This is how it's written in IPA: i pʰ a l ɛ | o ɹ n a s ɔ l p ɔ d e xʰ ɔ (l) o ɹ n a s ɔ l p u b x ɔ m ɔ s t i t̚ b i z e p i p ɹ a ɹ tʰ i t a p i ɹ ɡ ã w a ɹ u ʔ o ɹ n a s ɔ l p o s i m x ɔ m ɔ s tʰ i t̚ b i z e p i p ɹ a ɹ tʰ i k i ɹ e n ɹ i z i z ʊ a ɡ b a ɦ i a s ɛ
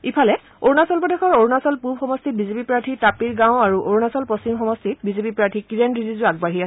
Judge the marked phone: incorrect: ɹ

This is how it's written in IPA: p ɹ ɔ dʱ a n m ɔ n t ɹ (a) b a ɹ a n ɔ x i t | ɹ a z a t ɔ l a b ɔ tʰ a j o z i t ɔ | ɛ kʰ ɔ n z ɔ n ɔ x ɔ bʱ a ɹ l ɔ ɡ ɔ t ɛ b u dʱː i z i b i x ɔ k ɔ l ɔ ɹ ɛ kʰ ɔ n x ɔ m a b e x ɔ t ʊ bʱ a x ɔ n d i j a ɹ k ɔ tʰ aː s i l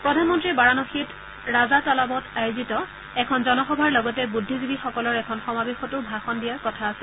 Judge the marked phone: incorrect: i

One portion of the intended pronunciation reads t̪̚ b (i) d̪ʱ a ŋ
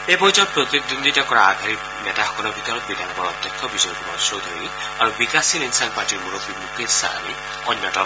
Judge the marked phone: correct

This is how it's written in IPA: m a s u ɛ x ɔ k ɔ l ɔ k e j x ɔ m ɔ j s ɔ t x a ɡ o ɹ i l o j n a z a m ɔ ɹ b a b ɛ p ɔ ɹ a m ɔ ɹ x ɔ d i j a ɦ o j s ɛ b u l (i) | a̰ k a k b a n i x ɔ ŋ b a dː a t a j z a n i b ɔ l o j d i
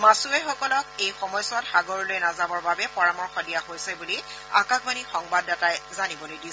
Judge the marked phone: correct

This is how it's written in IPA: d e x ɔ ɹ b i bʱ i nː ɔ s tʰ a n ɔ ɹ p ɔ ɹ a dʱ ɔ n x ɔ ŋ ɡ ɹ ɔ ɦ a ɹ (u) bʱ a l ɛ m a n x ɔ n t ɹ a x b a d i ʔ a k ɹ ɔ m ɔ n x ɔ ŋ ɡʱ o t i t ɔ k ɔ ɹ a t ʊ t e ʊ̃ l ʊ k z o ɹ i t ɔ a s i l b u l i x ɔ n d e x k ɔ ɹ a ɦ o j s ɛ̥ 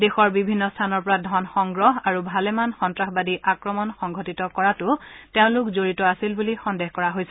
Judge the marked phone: correct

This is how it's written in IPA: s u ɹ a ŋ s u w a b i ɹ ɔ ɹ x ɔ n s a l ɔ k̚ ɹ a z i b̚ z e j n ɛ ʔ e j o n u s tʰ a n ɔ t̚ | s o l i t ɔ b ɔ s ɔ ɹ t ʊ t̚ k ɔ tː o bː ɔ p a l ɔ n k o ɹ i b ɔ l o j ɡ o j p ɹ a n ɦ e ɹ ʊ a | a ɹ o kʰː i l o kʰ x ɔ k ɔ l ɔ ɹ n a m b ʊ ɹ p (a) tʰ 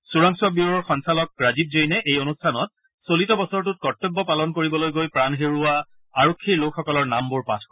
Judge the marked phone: correct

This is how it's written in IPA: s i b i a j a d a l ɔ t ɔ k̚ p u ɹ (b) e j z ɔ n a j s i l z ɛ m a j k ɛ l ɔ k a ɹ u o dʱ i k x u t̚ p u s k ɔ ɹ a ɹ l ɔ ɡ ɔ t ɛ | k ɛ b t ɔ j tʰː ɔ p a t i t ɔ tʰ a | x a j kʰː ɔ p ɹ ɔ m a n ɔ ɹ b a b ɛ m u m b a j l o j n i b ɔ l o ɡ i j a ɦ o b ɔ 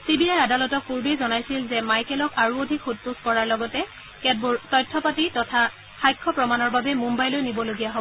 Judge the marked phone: correct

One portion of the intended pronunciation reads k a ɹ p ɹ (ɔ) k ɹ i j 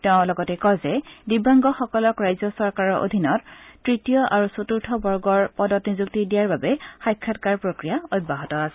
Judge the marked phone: incorrect: o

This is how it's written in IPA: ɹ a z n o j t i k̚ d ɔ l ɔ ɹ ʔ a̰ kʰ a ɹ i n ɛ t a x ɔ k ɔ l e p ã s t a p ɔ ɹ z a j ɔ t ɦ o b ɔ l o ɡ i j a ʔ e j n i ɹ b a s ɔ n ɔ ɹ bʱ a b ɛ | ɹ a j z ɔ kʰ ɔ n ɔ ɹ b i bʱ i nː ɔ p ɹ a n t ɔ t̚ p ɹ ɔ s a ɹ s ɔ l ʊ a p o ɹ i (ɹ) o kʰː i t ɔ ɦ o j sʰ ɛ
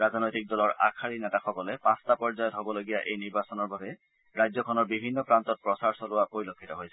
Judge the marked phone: incorrect: l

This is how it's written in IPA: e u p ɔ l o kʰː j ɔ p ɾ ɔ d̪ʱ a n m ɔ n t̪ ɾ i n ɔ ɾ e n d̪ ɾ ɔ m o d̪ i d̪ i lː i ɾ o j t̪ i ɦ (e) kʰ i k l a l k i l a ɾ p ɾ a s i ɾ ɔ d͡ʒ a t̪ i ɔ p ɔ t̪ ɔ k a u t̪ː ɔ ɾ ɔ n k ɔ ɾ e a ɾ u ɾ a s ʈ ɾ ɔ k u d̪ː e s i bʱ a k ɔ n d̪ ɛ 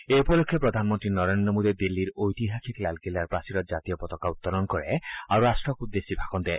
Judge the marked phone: incorrect: a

